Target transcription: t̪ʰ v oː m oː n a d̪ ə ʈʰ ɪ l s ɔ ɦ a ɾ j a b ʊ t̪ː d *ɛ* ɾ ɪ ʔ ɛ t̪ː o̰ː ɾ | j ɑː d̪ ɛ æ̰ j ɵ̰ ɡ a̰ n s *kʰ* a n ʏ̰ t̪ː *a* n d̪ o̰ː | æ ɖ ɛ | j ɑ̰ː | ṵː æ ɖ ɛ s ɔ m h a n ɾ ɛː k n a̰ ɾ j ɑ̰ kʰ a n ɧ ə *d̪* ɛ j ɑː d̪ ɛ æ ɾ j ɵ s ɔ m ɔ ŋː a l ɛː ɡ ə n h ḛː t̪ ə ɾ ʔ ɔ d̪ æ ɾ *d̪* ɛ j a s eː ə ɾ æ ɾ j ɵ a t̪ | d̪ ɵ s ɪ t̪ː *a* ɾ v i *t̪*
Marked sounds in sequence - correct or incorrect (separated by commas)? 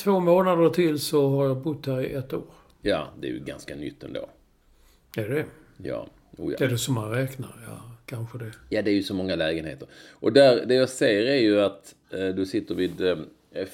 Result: incorrect, incorrect, incorrect, correct, correct, incorrect, incorrect